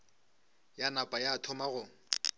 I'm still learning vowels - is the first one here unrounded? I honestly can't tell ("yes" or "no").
yes